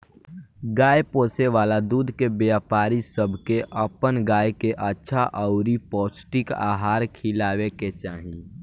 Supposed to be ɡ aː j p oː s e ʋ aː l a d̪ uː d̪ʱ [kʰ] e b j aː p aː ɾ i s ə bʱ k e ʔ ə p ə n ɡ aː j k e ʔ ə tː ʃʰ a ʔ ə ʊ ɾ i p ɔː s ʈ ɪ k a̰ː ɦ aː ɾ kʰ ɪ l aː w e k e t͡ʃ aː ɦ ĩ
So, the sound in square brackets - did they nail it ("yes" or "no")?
no